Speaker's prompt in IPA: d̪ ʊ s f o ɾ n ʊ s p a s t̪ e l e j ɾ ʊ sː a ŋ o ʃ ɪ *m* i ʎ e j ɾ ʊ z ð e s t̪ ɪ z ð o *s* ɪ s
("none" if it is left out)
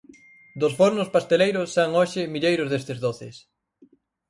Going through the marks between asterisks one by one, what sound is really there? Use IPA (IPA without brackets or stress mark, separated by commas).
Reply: m, θ